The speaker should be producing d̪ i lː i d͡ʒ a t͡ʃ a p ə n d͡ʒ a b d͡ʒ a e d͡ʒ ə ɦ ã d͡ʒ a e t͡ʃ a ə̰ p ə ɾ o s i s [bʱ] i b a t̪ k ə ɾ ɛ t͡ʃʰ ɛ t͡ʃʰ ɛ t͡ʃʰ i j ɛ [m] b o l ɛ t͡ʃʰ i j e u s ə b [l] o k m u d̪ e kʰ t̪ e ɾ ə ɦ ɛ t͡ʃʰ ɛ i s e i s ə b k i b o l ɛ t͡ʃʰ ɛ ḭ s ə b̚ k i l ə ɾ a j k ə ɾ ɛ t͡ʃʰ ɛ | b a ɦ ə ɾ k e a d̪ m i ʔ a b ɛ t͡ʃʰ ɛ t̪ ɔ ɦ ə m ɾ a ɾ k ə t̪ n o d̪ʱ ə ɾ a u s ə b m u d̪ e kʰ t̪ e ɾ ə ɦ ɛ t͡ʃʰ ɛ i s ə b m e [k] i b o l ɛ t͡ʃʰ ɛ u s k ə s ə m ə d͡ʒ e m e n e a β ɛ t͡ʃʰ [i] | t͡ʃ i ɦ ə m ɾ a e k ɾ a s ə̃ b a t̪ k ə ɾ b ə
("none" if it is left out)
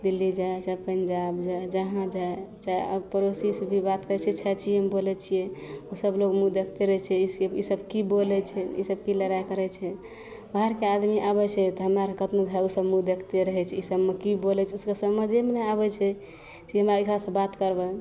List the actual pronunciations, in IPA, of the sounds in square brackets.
bʱ, m, l, k, ɛ

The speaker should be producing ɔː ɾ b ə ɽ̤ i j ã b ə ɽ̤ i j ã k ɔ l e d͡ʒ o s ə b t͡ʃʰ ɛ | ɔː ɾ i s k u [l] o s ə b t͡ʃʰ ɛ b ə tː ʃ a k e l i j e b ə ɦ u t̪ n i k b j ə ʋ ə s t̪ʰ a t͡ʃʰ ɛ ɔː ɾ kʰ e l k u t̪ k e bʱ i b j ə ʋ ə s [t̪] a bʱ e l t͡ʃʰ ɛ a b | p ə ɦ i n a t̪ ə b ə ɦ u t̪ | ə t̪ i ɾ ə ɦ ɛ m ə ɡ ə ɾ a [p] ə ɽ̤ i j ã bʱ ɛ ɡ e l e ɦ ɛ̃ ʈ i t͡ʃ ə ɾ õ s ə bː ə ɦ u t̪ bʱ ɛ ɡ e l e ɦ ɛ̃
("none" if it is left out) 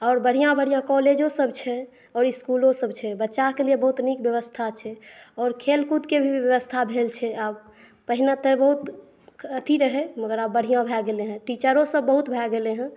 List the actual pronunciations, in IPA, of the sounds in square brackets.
l, t̪ʰ, b

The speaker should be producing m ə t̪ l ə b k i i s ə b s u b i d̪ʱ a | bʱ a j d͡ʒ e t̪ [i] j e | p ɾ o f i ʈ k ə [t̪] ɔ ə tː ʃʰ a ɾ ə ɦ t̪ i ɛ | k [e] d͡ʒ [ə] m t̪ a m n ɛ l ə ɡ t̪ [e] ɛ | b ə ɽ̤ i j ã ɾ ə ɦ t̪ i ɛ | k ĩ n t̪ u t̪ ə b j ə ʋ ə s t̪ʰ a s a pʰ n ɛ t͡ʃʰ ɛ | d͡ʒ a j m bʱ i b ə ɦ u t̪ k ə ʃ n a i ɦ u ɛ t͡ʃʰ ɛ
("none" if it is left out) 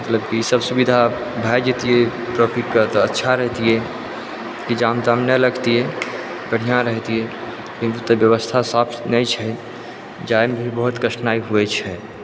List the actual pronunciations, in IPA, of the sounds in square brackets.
i, t̪, i, a, i

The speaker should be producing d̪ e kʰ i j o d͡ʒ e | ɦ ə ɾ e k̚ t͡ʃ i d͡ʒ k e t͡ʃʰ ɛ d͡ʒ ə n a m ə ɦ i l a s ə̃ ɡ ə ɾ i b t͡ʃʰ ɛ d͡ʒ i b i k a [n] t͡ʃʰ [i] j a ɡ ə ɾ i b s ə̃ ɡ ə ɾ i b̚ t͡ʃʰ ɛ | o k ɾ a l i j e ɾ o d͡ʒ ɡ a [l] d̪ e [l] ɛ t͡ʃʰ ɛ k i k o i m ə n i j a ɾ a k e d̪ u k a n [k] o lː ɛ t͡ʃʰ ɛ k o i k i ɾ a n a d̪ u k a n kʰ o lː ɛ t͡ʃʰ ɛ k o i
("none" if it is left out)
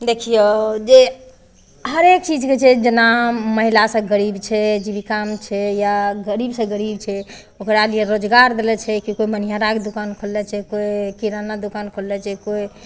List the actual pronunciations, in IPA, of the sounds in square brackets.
m, ɛ, ɾ, l, kʰ

